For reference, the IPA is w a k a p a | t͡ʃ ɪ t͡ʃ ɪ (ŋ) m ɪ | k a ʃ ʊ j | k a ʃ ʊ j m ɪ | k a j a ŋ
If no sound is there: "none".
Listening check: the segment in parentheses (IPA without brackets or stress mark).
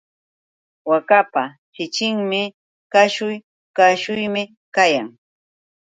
ŋ